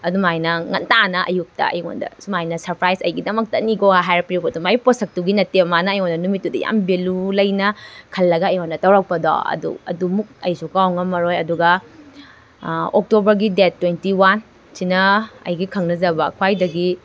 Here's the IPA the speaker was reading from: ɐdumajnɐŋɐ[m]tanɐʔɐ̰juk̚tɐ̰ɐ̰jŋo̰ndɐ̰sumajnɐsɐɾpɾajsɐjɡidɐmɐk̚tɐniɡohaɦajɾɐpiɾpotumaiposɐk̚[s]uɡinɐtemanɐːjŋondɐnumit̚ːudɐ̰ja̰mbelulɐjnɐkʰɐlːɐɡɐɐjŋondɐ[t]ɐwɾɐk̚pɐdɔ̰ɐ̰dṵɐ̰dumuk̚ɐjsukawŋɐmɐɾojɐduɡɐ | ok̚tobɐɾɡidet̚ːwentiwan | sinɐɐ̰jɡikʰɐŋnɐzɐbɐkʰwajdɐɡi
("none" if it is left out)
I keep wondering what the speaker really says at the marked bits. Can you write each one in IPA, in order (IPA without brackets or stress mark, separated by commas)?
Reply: n, t, t